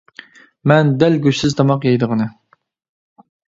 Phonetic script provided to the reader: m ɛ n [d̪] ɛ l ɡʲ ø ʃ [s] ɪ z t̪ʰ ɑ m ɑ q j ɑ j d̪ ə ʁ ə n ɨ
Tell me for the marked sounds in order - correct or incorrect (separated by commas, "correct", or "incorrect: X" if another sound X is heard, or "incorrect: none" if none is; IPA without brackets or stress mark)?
correct, correct